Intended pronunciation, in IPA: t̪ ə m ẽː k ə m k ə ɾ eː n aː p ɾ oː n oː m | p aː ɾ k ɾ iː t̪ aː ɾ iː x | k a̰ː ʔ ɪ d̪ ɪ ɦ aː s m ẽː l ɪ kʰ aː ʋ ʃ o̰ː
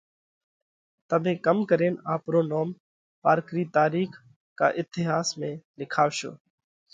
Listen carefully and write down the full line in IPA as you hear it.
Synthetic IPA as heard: t̪ ə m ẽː k ə m k ə ɾ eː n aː p ɾ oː n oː m | p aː ɾ k ɾ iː t̪ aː ɾ iː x | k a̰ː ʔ ɪ t̪ ɪ ɦ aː s m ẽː l ɪ kʰ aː ʋ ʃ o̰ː